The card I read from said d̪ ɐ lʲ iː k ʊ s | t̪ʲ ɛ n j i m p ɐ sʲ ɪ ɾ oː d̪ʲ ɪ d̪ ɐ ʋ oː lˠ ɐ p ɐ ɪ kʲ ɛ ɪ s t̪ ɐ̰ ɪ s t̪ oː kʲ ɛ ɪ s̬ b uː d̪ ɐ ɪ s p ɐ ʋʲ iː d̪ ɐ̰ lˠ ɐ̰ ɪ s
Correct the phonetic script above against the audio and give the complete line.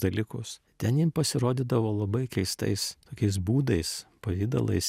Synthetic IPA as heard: d̪ ɐ lʲ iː k ʊ s | t̪ʲ ɛ n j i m p ɐ sʲ ɪ ɾ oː d̪ʲ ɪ d̪ ɐ ʋ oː lˠ ɐ b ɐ ɪ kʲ ɛ ɪ s t̪ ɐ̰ ɪ s t̪ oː kʲ ɛ ɪ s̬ b uː d̪ ɐ ɪ s p ɐ ʋʲ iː d̪ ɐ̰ lˠ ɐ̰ ɪ s

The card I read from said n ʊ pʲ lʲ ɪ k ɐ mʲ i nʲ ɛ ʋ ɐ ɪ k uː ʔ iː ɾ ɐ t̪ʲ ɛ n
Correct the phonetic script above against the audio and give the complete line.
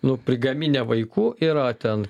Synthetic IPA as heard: n ʊ pʲ ɾʲ ɪ ɡ ɐ mʲ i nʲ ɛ ʋ ɐ ɪ k uː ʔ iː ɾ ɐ t̪ʲ ɛ n

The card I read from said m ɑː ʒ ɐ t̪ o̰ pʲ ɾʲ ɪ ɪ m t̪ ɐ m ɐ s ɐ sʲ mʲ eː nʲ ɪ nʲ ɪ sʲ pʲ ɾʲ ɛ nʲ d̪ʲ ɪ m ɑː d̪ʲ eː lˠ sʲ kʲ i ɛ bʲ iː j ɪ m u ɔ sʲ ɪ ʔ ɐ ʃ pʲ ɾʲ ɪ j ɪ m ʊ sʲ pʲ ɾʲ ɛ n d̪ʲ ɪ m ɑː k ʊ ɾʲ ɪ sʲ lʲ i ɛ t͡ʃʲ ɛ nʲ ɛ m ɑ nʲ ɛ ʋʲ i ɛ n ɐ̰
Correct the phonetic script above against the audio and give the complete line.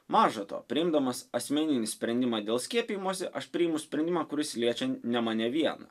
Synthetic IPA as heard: m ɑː ʒ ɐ t̪ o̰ pʲ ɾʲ ɪ ɪ m d̪ ɐ m ɐ s ɐ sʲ mʲ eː nʲ ɪ nʲ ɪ sʲ pʲ ɾʲ ɛ nʲ d̪ʲ ɪ m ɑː d̪ʲ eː lˠ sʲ kʲ i ɛ pʲ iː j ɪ m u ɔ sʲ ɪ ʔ ɐ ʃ pʲ ɾʲ ɪ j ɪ m ʊ sʲ pʲ ɾʲ ɛ n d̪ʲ ɪ m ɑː k ʊ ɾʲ ɪ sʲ lʲ i ɛ t͡ʃʲ ɛ nʲ ɛ m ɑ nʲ ɛ ʋʲ i ɛ n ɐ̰

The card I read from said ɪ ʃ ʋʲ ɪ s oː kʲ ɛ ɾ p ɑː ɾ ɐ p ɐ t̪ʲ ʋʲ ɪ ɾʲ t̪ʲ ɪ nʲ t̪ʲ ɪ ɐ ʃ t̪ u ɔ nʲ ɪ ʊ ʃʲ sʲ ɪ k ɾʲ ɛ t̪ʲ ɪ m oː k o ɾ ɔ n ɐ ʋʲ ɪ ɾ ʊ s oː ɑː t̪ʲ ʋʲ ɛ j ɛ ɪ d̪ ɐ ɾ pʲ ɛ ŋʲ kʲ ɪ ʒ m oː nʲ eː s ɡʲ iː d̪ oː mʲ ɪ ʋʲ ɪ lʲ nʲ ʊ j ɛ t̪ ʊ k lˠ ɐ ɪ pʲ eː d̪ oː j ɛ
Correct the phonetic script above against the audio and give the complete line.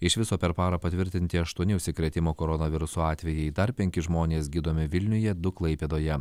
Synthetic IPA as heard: ɪ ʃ ʋʲ ɪ s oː pʲ ɛ ɾ p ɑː ɾ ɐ p ɐ t̪ʲ ʋʲ ɪ ɾʲ t̪ʲ ɪ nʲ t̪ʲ ɪ ɐ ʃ t̪ u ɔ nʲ ɪ ʊ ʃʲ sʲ ɪ k ɾʲ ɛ t̪ʲ ɪ m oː k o ɾ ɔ n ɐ ʋʲ ɪ ɾ ʊ s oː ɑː t̪ʲ ʋʲ ɛ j ɛ ɪ d̪ ɐ ɾ pʲ ɛ ŋʲ kʲ ɪ ʒ m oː nʲ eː s ɡʲ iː d̪ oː mʲ ɪ ʋʲ ɪ lʲ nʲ ʊ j ɛ d̪ ʊ k lˠ ɐ ɪ pʲ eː d̪ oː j ɛ

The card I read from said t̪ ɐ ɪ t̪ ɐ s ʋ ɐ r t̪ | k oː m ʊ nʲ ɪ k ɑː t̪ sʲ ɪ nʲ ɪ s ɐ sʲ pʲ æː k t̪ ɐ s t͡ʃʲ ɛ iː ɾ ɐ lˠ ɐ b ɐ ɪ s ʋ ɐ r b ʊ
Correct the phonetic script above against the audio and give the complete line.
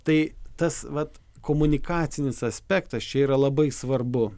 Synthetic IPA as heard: t̪ ɐ ɪ t̪ ɐ s ʋ ɐ t̪ | k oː m ʊ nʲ ɪ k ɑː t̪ sʲ ɪ nʲ ɪ s ɐ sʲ pʲ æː k t̪ ɐ s t͡ʃʲ ɛ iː ɾ ɐ lˠ ɐ b ɐ ɪ s ʋ ɐ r b ʊ

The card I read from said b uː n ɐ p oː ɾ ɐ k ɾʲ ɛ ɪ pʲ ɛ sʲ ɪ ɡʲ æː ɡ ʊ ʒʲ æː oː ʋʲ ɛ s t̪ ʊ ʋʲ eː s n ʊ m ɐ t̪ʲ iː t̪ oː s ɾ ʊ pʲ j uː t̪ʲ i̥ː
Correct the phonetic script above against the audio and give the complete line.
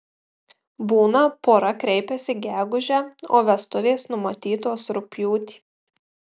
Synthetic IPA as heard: b uː n ɐ p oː ɾ ɐ k ɾʲ ɛ ɪ pʲ ɛ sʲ ɪ ɡʲ æː ɡ ʊ ʒʲ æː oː ʋʲ ɛ s t̪ ʊ ʋʲ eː s n ʊ m ɐ t̪ʲ iː t̪ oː s ɾ ʊ pʲ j uː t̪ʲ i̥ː

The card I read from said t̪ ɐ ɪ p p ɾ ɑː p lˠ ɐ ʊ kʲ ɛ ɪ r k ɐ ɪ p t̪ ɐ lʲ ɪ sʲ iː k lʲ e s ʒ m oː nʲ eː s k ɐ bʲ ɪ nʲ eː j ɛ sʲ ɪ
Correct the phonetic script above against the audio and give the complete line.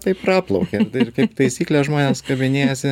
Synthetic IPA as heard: t̪ ɐ ɪ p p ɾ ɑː p lˠ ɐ ʊ kʲ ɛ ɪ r k ɐ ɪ p t̪ ɐ ɪ sʲ iː k lʲ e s ʒ m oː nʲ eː s k ɐ bʲ ɪ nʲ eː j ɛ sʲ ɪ

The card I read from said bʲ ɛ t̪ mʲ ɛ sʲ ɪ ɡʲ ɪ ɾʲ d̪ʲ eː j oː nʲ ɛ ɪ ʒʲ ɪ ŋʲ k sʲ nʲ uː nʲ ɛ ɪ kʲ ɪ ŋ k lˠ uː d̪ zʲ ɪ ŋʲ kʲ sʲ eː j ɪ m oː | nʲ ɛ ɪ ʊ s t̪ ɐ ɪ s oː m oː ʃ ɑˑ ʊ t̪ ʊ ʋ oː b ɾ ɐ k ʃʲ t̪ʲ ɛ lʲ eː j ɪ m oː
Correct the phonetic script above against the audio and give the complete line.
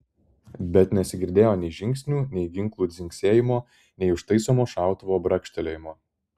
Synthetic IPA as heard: bʲ ɛ t̪ nʲ ɛ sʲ ɪ ɡʲ ɪ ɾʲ d̪ʲ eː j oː nʲ ɛ ɪ ʒʲ ɪ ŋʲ k sʲ nʲ uː nʲ ɛ ɪ ɡʲ ɪ ŋ k lˠ uː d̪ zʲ ɪ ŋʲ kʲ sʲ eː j ɪ m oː | nʲ ɛ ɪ ʊ ʃ t̪ ɐ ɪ s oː m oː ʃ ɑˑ ʊ t̪ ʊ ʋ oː b ɾ ɐ k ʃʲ t̪ʲ ɛ lʲ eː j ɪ m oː

